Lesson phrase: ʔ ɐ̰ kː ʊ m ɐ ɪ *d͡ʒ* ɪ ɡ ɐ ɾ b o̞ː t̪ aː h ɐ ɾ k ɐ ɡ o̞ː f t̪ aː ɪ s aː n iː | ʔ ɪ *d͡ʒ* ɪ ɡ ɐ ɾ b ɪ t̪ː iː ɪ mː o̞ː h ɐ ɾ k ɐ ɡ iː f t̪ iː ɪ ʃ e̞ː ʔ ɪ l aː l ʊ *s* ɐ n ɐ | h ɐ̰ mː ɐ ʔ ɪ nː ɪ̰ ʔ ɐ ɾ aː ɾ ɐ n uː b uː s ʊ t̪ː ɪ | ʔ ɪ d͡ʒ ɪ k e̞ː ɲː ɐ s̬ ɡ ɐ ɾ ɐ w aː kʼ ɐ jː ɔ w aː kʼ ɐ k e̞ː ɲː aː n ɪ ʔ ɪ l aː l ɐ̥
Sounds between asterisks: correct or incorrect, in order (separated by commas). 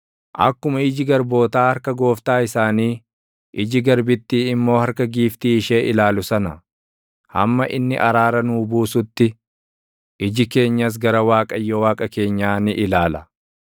correct, correct, correct